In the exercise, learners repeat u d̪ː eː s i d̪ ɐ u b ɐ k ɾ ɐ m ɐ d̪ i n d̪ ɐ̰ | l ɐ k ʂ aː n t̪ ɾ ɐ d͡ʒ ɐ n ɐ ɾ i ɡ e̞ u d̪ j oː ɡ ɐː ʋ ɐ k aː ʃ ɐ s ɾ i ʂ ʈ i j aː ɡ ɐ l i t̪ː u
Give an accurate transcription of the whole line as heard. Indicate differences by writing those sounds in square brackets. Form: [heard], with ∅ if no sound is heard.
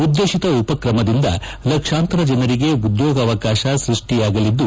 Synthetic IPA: u d̪ː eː [ʃ] i [t̪] ɐ u [p] ɐ k ɾ ɐ m ɐ d̪ i n d̪ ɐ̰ | l ɐ k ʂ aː n t̪ ɾ ɐ d͡ʒ ɐ n ɐ ɾ i ɡ e̞ u d̪ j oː ɡ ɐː ʋ ɐ k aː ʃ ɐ s ɾ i ʂ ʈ i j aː ɡ ɐ l i [d̪ː] u